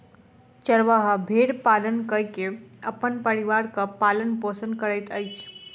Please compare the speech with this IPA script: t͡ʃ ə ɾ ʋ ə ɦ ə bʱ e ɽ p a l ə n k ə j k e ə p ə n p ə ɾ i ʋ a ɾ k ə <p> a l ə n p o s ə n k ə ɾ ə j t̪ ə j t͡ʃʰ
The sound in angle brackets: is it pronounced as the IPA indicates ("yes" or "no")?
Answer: yes